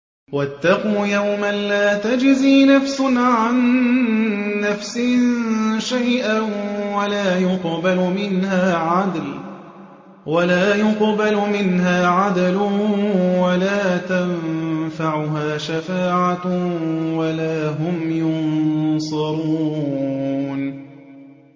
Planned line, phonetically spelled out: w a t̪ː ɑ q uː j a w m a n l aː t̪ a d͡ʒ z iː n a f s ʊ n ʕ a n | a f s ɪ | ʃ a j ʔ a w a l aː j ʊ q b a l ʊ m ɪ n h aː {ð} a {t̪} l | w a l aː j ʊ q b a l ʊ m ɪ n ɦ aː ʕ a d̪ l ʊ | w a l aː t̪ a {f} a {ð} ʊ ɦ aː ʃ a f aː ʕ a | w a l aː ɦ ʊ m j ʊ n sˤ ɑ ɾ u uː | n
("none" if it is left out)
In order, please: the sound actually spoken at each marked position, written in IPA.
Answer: ʕ, d̪, f, ʕ

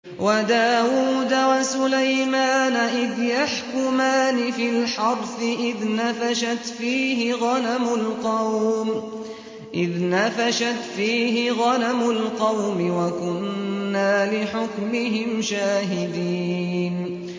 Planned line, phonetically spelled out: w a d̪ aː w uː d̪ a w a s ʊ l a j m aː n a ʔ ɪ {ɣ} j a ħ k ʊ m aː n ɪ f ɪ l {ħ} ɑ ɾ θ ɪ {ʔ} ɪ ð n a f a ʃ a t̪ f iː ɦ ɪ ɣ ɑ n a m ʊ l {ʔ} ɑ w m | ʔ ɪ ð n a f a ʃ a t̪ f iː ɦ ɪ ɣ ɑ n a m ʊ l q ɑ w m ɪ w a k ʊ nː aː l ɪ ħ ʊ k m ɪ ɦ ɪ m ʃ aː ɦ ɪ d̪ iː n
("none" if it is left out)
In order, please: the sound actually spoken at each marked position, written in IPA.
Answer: ð, ħ, ʔ, q

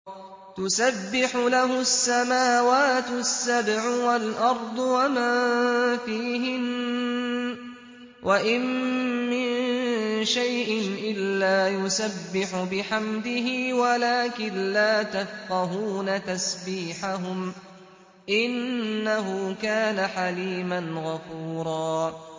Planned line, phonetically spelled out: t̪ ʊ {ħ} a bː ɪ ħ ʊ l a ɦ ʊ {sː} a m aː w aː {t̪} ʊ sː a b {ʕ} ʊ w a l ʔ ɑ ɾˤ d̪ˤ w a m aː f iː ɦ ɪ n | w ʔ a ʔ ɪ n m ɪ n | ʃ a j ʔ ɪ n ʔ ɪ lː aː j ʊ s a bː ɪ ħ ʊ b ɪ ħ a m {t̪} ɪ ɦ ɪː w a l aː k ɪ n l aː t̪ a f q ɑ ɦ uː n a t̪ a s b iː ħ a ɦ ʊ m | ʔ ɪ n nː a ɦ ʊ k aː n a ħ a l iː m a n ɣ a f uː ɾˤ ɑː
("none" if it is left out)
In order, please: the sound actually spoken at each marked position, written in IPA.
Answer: s, sː, t̪, ʕ, d̪

